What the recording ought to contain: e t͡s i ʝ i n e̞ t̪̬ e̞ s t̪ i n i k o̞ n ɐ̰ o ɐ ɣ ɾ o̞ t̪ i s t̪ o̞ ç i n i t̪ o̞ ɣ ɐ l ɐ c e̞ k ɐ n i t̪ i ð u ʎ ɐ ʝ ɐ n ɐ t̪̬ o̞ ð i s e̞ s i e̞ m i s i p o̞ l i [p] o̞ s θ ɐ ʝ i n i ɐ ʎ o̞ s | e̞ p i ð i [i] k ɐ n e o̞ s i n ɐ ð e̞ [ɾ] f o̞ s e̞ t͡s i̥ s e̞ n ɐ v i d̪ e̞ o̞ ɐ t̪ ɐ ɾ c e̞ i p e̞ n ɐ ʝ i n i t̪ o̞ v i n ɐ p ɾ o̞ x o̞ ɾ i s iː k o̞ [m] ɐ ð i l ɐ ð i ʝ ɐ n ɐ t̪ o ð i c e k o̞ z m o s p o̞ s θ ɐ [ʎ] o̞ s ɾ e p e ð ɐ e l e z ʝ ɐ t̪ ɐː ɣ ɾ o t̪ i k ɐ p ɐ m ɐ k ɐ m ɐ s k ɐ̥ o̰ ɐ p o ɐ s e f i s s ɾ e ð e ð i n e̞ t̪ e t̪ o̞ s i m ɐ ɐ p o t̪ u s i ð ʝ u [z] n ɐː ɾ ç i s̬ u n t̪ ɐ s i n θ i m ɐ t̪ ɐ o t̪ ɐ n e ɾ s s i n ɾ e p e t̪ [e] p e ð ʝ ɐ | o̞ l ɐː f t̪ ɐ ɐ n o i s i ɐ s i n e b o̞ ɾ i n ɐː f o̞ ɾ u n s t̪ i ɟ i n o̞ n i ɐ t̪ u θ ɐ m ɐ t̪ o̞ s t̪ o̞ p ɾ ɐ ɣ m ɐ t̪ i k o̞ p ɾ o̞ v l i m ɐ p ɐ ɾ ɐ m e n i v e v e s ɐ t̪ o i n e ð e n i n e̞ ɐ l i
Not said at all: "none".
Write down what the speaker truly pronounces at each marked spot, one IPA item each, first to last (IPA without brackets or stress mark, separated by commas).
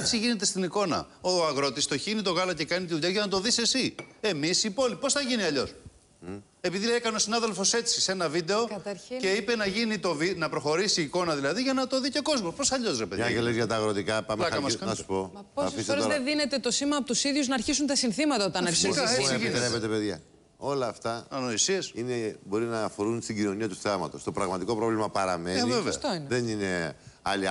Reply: p, e, l, n, ʎ, z, e